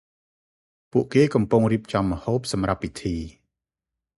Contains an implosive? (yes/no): no